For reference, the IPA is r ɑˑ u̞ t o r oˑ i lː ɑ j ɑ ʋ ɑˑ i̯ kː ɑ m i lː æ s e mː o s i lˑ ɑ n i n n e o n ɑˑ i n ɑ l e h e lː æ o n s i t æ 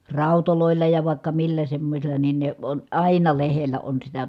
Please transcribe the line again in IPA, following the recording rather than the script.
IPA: r ɑˑ u̞ t o l oˑ i lː ɑ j ɑ ʋ ɑˑ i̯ kː ɑ m i lː æ s e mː o s i lˑ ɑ n i n n e o n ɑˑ i n ɑ l e h e lː æ o n s i t æ